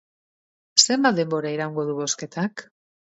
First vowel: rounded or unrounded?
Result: unrounded